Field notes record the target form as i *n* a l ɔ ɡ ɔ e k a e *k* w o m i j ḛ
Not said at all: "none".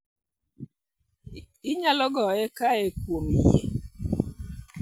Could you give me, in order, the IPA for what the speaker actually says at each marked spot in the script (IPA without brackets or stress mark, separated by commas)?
ɲ, k